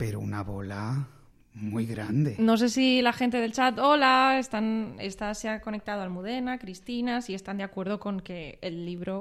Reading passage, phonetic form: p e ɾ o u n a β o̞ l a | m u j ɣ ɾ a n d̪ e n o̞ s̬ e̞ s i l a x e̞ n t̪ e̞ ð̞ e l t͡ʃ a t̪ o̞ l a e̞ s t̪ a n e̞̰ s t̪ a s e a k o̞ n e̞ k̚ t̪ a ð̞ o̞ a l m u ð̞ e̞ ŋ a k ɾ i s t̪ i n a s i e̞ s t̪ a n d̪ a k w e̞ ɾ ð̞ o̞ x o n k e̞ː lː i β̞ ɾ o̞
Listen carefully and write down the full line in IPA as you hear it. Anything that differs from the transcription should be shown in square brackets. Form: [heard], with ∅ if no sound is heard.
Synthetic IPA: p e ɾ o u n a β o̞ l a | m u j ɣ ɾ a n d̪ e n o̞ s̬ e̞ s i l a x e̞ n t̪ e̞ ð̞ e l t͡ʃ a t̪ o̞ l a e̞ s t̪ a n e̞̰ s t̪ a s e a k o̞ n e̞ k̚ t̪ a ð̞ o̞ a l m u ð̞ e̞ [n] a k ɾ i s t̪ i n a s i e̞ s t̪ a n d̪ a k w e̞ ɾ ð̞ o̞ [k] o [ŋ] k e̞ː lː i β̞ ɾ o̞